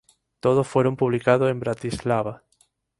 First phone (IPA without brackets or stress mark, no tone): t̪